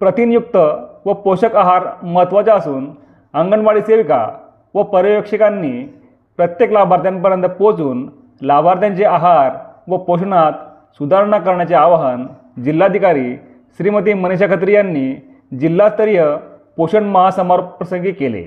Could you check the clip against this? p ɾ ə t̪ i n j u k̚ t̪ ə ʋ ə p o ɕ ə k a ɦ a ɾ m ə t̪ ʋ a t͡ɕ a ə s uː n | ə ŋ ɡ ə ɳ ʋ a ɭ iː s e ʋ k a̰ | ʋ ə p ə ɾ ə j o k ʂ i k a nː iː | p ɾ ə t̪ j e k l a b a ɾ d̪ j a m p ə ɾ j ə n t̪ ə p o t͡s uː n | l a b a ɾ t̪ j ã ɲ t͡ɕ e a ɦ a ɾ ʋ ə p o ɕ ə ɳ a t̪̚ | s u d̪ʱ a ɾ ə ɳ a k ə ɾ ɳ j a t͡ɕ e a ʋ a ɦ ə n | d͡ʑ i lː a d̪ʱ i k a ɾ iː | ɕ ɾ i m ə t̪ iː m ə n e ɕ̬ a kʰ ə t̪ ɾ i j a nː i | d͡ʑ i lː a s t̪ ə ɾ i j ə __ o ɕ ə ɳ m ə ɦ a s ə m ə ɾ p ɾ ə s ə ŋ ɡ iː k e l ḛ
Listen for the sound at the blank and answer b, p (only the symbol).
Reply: p